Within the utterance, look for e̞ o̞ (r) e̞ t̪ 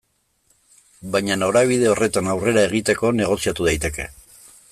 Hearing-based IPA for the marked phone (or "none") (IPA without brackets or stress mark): r